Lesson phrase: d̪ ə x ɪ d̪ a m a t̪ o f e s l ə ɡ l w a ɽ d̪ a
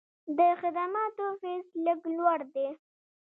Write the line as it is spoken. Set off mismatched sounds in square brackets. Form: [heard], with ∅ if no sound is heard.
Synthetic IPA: d̪ ə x ɪ d̪ a m [ɑ] t̪ o f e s l ə ɡ l w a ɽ d̪ [e]